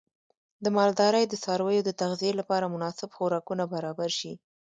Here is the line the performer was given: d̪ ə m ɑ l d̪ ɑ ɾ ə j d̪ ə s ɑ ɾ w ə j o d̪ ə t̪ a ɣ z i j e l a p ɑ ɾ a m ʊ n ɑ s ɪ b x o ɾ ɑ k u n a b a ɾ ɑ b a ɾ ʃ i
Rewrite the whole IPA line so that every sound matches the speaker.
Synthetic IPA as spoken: d̪ ə m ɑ l d̪ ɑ ɾ ə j d̪ ə s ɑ ɾ w ə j o d̪ ə t̪ a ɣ z i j e l a p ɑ ɾ a m ʊ n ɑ s ɪ b x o ɾ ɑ k u n a b a ɾ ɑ b a ɾ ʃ i